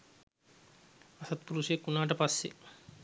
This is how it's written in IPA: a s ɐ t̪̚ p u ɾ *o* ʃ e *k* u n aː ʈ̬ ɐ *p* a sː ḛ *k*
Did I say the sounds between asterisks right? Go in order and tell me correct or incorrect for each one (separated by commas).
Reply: incorrect, correct, correct, incorrect